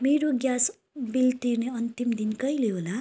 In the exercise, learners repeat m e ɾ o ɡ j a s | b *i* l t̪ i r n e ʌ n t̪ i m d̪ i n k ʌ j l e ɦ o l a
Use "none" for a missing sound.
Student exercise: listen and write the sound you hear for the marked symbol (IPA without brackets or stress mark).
i